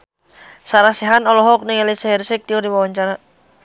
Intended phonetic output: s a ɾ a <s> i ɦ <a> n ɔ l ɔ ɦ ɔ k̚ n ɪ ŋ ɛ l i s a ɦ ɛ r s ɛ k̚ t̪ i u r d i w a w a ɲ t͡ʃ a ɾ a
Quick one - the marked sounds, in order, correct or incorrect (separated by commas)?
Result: correct, correct